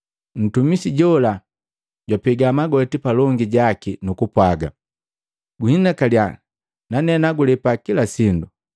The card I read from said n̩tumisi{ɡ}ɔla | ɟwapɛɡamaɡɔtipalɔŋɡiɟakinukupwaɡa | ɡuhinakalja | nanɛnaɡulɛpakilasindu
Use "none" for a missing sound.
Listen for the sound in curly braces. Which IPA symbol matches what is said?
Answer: ɟ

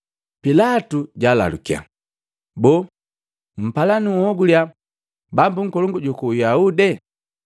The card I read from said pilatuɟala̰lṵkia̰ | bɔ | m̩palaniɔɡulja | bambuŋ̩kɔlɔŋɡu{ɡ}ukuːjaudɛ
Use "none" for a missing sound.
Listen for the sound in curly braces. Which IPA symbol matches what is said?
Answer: ɟ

